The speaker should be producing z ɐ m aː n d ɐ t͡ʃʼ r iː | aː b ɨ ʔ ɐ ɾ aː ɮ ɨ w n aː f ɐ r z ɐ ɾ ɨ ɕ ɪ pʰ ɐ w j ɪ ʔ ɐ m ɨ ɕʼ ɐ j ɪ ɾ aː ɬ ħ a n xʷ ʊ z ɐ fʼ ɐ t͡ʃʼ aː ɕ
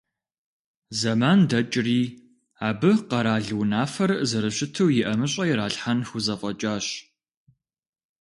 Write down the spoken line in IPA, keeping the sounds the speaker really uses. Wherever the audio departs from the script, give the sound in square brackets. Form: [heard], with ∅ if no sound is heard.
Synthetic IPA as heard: z ɐ m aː n d ɐ t͡ʃʼ r iː | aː b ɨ [q] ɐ ɾ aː ɮ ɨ w n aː f ɐ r z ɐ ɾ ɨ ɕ ɪ [tʰ] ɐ w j ɪ ʔ ɐ m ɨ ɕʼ ɐ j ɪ ɾ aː ɬ ħ a n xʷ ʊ z ɐ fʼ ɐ t͡ʃʼ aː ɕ